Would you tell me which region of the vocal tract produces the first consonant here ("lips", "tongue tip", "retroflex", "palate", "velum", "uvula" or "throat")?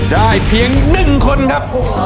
tongue tip